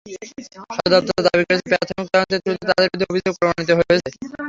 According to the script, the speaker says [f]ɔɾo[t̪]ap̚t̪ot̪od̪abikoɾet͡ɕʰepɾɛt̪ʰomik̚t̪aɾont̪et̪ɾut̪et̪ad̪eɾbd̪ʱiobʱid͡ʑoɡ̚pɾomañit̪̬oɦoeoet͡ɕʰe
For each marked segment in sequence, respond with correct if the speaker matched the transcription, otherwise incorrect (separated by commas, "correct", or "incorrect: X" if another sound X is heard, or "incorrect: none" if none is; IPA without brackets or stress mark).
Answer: incorrect: ʃ, incorrect: d̪